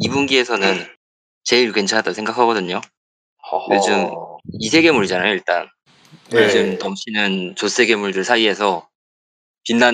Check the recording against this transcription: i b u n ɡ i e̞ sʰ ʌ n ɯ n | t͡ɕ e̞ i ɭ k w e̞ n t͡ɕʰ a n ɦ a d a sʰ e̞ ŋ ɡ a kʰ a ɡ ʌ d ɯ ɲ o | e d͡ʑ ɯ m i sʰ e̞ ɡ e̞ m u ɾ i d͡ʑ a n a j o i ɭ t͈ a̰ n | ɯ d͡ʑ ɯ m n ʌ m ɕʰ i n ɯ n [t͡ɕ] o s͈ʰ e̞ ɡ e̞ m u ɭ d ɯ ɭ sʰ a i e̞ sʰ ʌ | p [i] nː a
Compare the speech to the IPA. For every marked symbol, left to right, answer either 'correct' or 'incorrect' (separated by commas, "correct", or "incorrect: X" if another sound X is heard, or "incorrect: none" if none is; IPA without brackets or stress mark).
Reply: correct, correct